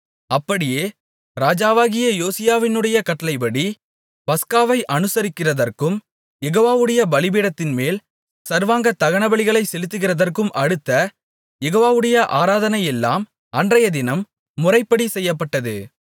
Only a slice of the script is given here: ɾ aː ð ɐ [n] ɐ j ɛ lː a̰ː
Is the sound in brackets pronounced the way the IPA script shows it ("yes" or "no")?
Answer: yes